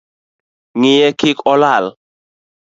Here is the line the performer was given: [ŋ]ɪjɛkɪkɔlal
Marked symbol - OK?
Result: yes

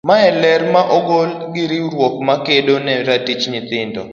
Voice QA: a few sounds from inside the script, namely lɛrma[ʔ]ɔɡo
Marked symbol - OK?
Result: yes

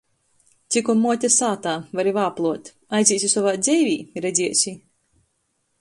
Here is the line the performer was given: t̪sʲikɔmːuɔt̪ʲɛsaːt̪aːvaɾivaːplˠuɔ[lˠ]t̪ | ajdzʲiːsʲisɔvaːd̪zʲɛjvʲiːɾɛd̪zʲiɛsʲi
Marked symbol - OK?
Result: no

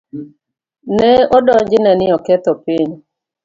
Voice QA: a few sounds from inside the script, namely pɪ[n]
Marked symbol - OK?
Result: no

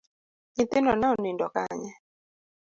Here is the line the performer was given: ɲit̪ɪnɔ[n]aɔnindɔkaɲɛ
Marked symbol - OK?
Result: yes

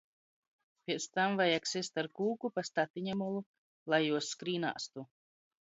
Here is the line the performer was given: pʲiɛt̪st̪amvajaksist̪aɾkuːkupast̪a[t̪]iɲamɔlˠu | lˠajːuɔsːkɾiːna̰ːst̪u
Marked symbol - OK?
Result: yes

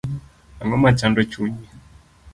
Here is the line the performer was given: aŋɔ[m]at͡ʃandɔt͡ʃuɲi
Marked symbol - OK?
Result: yes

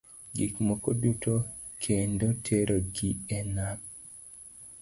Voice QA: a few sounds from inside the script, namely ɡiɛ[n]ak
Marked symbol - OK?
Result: yes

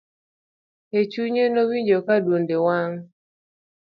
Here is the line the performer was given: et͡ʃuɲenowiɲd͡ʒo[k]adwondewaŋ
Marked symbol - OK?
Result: yes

